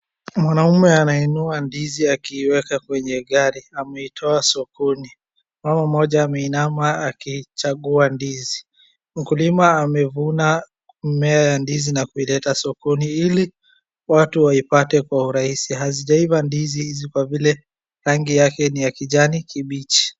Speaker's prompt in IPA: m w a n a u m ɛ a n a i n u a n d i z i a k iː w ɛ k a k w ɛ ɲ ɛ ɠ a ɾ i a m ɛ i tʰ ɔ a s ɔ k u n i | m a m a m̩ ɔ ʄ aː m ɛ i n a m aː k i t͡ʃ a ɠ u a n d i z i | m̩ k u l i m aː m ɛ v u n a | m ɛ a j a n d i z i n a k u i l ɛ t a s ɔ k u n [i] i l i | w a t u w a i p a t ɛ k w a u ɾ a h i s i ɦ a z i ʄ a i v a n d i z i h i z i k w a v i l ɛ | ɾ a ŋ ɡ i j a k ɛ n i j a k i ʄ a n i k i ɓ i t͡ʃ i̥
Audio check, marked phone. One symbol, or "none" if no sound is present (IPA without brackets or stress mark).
i